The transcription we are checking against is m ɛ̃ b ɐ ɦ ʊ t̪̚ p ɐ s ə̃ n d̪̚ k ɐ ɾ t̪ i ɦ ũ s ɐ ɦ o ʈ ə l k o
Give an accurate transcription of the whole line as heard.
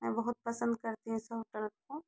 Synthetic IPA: m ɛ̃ b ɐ ɦ ʊ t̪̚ p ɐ s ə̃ n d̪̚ k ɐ ɾ t̪ i ɦ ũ s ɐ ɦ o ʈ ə l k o